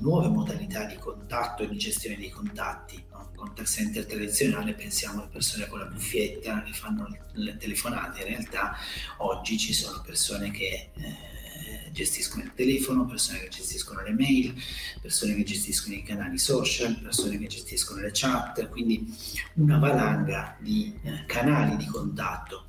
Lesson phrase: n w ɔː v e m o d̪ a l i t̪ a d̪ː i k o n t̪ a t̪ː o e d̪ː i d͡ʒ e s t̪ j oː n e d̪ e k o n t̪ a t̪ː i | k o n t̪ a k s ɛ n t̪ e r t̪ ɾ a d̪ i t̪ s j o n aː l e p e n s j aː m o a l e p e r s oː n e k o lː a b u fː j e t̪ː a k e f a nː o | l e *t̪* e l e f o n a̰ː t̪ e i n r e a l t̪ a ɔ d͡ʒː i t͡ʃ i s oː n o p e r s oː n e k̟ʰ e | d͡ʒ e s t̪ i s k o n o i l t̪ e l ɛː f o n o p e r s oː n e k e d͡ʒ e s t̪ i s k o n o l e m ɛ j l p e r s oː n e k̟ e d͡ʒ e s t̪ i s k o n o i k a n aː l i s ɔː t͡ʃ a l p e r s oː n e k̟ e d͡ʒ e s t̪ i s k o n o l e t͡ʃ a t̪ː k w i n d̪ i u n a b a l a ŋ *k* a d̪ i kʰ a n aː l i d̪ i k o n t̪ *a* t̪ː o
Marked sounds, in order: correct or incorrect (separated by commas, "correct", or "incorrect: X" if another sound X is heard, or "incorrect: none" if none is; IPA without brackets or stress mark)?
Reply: correct, incorrect: ɡ, correct